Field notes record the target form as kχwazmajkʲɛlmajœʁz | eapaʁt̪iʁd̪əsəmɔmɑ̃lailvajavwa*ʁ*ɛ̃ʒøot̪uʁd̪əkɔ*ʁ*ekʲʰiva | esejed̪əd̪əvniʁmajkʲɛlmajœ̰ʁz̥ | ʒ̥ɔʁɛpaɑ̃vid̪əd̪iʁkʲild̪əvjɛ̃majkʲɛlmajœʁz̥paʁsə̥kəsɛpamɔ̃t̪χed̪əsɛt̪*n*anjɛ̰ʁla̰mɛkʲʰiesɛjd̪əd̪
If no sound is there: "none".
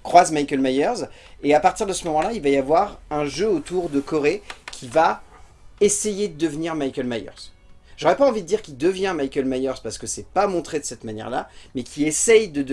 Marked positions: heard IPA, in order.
ʁ, ʁ, m

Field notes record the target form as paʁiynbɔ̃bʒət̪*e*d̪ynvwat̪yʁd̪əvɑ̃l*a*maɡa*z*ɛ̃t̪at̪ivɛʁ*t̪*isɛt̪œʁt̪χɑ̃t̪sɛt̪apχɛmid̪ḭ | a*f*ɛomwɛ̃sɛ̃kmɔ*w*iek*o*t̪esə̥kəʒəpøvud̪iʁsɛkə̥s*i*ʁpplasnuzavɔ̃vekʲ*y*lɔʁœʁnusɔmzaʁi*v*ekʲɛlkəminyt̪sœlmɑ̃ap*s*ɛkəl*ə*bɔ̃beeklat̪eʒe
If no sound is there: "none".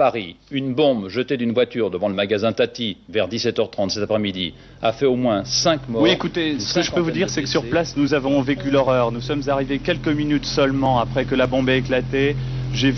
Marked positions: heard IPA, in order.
e, ə, z, d̪, f, w, u, y, y, v, χ, a

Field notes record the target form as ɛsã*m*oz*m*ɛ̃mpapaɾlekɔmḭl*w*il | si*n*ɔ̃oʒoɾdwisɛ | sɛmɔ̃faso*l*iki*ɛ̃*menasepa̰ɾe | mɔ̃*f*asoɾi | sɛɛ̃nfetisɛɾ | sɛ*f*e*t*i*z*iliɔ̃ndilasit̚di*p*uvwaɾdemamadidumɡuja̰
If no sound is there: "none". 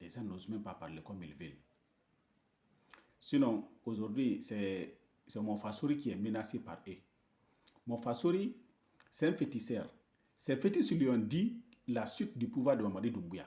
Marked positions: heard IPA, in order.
n, m, v, n, ɾ, ɛ, f, f, t, s, p

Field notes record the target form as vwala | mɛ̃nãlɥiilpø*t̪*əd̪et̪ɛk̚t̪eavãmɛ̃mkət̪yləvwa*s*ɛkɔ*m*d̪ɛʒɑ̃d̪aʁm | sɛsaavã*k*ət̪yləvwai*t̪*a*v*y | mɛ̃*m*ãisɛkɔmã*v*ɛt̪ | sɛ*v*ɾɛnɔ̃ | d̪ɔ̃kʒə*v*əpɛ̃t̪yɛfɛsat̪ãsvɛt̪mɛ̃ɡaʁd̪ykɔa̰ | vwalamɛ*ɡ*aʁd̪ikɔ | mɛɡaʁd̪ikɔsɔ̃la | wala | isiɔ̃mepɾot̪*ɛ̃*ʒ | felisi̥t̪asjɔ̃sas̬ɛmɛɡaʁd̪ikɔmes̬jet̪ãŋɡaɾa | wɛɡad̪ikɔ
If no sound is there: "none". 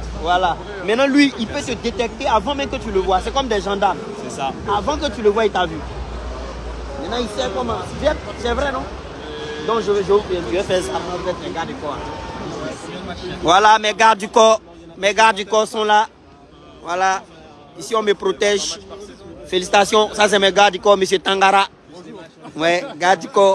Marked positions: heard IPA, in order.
t̪, s, m, k, t̪, v, n, v, v, ʒ, ɡ, ɛ

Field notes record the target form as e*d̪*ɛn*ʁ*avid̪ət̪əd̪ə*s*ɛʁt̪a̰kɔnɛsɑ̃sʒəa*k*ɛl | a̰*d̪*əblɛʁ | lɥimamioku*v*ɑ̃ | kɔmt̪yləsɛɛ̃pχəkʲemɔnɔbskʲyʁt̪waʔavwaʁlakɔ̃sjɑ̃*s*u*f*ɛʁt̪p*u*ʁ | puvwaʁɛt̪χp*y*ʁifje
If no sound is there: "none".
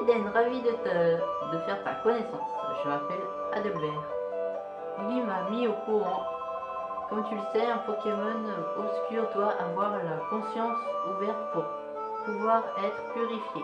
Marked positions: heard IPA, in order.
d̪, ʁ, f, p, d̪, ʁ, s, v, u, y

